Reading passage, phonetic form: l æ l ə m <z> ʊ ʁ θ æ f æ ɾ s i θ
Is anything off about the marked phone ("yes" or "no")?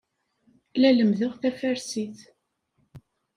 yes